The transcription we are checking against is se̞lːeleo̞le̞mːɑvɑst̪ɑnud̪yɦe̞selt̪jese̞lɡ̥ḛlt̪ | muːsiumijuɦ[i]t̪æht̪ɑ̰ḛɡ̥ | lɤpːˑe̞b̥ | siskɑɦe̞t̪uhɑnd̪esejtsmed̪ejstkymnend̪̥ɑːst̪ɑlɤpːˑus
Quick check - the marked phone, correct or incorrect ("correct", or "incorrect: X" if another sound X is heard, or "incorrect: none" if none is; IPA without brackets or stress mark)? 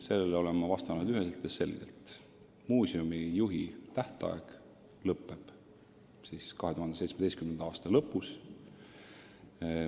correct